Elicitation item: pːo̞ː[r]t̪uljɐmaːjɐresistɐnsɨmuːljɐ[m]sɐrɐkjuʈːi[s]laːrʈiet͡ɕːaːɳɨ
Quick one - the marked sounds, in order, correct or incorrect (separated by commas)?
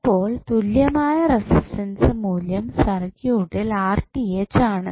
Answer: incorrect, correct, incorrect